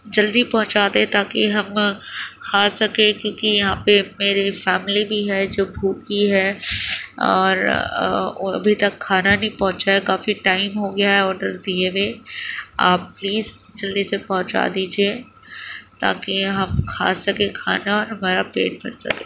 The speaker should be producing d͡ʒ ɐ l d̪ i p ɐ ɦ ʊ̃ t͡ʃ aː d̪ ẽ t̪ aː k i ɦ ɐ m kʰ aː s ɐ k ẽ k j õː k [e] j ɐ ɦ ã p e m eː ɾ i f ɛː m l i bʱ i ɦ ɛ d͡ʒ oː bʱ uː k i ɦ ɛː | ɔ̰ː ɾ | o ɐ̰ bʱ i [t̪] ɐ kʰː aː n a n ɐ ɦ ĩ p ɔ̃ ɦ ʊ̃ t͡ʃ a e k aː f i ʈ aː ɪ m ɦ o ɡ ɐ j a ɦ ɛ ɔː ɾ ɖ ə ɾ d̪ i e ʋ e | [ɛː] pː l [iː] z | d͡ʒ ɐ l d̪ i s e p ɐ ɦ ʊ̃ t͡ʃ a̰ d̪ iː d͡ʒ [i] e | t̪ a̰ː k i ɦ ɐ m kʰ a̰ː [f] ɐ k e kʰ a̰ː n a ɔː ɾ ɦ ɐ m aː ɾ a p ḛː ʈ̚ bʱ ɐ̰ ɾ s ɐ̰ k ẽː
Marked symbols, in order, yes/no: no, yes, no, yes, yes, no

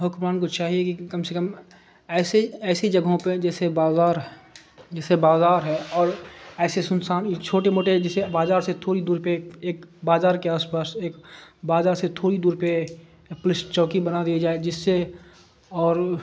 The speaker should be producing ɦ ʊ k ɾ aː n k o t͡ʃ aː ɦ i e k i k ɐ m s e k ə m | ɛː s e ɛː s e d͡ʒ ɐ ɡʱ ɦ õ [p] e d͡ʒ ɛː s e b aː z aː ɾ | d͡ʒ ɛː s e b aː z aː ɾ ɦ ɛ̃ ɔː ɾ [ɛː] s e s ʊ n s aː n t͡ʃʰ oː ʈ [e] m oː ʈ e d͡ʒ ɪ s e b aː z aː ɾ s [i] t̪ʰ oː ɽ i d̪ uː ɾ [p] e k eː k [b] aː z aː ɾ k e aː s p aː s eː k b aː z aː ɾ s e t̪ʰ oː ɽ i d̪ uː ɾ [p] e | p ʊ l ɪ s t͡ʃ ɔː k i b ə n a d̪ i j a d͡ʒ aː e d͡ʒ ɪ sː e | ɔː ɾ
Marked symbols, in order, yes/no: yes, yes, yes, no, yes, yes, yes

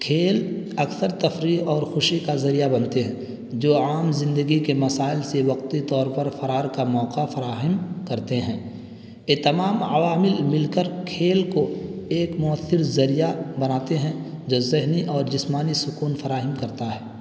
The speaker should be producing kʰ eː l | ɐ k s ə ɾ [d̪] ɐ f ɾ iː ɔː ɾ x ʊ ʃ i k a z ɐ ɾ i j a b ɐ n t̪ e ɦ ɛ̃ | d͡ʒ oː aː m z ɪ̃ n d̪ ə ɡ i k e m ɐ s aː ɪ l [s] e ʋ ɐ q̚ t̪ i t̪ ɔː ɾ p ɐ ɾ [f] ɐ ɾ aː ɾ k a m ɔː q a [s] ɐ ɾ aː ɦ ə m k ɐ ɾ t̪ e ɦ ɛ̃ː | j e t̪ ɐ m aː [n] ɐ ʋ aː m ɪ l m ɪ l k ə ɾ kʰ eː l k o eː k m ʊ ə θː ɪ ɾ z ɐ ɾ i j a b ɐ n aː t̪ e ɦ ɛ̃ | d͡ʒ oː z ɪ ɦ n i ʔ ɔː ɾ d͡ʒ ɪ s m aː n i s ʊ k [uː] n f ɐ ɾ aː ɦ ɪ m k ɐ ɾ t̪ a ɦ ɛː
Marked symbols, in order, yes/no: no, yes, yes, no, no, yes

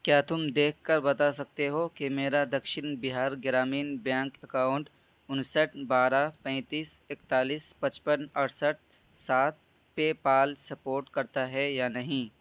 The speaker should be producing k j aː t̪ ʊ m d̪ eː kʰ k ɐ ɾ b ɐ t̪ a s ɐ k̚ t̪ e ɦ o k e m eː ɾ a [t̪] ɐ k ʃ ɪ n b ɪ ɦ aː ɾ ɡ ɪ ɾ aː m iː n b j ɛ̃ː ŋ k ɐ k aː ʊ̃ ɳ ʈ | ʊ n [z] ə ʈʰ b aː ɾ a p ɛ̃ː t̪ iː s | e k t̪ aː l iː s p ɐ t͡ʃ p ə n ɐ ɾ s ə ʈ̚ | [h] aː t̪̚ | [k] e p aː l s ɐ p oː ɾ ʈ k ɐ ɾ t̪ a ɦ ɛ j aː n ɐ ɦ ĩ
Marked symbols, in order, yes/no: no, no, no, no

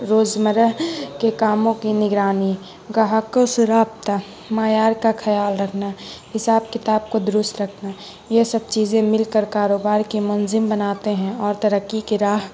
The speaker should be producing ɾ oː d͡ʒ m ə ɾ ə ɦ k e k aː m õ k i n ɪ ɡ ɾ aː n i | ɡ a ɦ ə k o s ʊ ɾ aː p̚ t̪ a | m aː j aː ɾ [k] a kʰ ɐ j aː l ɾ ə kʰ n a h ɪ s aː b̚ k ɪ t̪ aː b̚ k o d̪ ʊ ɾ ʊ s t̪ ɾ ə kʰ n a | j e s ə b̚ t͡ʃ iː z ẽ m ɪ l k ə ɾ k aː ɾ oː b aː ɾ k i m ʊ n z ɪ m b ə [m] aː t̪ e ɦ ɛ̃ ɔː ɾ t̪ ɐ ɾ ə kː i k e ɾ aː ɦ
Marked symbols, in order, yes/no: yes, no

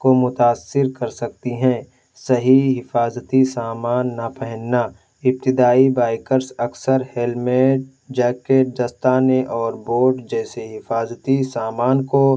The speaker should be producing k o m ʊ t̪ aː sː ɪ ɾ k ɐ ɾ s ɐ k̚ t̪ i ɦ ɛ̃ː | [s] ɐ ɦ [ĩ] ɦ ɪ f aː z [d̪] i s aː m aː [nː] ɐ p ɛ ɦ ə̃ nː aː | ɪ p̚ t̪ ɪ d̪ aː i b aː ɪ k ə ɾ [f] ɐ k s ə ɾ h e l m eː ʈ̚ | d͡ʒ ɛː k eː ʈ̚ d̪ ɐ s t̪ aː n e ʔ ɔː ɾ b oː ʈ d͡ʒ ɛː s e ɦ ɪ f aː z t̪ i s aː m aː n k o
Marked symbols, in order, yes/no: yes, no, no, yes, no

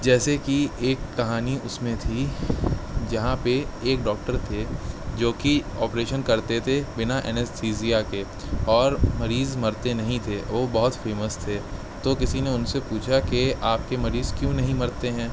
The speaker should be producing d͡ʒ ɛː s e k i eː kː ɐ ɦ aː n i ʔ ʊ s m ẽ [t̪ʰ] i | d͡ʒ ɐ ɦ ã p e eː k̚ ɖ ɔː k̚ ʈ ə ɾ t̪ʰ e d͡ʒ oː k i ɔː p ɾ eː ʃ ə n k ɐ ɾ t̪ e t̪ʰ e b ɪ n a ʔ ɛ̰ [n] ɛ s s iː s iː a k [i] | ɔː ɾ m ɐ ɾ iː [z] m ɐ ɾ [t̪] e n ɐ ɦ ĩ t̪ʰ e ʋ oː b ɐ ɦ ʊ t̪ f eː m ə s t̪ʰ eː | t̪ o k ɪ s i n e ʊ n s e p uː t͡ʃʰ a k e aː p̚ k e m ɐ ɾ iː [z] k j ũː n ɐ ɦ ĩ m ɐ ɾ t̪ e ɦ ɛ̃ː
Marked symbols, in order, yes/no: yes, yes, no, yes, yes, yes

